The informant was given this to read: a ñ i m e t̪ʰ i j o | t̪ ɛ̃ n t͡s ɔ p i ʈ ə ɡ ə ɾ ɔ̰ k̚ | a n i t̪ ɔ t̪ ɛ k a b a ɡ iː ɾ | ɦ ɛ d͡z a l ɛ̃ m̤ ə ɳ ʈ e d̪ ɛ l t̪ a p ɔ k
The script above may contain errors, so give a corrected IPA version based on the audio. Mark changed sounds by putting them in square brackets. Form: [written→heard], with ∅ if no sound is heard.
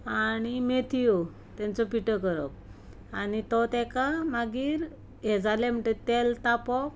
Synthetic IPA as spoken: a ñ i m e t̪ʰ i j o | t̪ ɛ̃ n t͡s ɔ p i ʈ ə [ɡ→k] ə ɾ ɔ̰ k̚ | a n i t̪ ɔ t̪ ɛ k a [b→m] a ɡ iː ɾ | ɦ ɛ d͡z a l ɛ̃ m̤ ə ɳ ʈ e [d̪→t̪] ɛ l t̪ a p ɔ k